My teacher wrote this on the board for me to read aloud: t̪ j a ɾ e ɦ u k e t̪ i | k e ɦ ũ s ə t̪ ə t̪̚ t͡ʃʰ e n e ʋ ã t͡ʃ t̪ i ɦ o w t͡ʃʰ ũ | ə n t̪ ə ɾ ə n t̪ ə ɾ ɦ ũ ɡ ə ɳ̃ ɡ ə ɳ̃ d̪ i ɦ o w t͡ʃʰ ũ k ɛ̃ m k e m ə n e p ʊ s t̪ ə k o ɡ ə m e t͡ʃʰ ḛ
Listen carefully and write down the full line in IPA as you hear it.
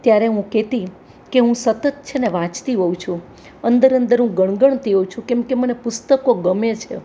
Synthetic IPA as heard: t̪ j a ɾ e ɦ ũ k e t̪ i | k e ɦ ũ s ə t̪ ə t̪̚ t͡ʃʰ e n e ʋ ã t͡ʃ t̪ i ɦ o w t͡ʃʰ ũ | ə n d̪ ə ɾ ə n d̪ ə ɾ ɦ ũ ɡ ə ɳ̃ ɡ ə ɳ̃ t̪ i ɦ o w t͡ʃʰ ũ k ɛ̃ m k e m ə n e p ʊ s t̪ ə k o ɡ ə m e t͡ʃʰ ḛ